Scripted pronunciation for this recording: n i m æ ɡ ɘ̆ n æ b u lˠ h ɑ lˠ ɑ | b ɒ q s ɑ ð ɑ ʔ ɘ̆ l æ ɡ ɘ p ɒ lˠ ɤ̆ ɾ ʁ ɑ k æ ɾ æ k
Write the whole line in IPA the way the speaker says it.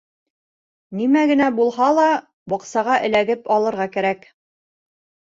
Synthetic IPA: n i m æ ɡ ɘ̆ n æ b u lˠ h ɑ lˠ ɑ | b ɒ q s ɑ ʁ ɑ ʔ ɘ̆ l æ ɡ ɘ p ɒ lˠ ɤ̆ ɾ ʁ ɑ k æ ɾ æ k

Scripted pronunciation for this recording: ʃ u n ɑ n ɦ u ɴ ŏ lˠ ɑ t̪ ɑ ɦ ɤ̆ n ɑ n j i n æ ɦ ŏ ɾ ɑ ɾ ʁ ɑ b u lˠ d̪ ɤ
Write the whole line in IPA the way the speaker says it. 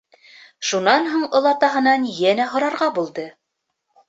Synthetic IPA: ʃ u n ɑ n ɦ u ɴ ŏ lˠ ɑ t̪ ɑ ɦ ɤ̆ n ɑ n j æ n æ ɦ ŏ ɾ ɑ ɾ ʁ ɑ b u lˠ d̪ ɤ

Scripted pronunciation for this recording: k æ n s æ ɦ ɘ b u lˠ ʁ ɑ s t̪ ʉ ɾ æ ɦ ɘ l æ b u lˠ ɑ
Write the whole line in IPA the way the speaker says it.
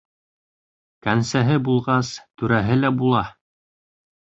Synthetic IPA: k æ n s æ ɦ ɘ b u lˠ ʁ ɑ s t̪ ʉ ɾ æ ɦ ɘ l æ b u lˠ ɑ

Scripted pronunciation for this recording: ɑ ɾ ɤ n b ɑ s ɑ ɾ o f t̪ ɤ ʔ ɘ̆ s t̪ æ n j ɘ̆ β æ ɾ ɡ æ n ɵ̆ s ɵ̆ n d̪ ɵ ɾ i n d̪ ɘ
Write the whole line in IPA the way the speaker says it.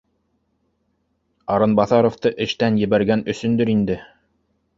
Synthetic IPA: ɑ ɾ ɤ n b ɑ θ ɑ ɾ o f t̪ ɤ ʔ ɘ̆ ʃ t̪ æ n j ɘ̆ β æ ɾ ɡ æ n ɵ̆ s ɵ̆ n d̪ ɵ ɾ i n d̪ ɘ

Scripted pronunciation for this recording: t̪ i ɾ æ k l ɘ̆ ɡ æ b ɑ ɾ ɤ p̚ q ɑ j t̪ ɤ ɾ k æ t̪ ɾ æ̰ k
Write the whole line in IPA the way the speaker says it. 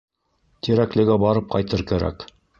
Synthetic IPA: t̪ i ɾ æ k l ɘ̆ ɡ æ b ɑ ɾ ɤ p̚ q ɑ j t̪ ɤ ɾ k æ ɾ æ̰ k

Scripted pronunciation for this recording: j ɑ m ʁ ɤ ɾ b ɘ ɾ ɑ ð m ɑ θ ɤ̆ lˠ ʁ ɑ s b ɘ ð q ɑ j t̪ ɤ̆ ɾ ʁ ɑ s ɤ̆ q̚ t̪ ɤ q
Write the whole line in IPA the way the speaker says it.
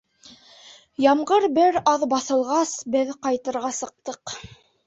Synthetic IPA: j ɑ m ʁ ɤ ɾ b ɘ ɾ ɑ ð b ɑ θ ɤ̆ lˠ ʁ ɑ s b ɘ ð q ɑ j t̪ ɤ̆ ɾ ʁ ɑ s ɤ̆ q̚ t̪ ɤ q

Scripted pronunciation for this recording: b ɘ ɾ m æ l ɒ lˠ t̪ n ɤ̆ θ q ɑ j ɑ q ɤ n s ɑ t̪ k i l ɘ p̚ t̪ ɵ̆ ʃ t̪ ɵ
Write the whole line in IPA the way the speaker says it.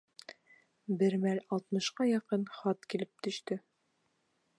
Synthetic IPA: b ɘ ɾ m æ l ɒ lˠ t̪ m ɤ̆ ʃ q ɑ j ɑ q ɤ n χ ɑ t̪ k i l ɘ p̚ t̪ ɵ̆ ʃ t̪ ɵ

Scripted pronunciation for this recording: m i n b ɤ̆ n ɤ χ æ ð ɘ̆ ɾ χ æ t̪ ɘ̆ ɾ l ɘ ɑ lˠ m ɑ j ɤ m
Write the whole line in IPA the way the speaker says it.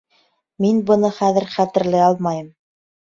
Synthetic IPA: m i n b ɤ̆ n ɤ χ æ ð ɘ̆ ɾ χ æ t̪ ɘ̆ ɾ l ɘ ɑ lˠ m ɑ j ɤ m

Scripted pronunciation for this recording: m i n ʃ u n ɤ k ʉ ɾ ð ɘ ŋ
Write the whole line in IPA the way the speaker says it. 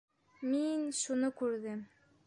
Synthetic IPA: m i n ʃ u n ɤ k ʉ ɾ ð ɘ m

